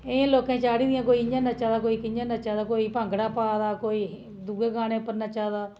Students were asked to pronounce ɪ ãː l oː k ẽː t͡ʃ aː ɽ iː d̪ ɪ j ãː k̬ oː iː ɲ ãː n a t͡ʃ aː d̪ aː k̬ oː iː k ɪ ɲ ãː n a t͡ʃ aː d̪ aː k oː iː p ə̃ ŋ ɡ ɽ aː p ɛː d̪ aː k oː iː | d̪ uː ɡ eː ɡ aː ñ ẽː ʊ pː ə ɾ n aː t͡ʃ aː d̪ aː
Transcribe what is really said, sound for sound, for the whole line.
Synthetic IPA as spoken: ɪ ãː l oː k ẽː t͡ʃ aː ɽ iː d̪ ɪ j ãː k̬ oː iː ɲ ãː n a t͡ʃ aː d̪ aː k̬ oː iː k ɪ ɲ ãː n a t͡ʃ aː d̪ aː k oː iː p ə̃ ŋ ɡ ɽ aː p aː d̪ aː k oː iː | d̪ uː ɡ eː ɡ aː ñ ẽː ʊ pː ə ɾ n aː t͡ʃ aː d̪ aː